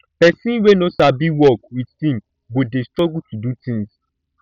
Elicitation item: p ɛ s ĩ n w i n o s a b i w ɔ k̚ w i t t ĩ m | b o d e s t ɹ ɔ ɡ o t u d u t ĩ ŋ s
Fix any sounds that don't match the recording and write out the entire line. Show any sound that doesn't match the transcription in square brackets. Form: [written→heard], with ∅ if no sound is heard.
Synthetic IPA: p ɛ s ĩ n w [i→e] n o s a b i w ɔ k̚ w i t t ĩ m | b o d e s t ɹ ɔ ɡ [o→u] t u d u t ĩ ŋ s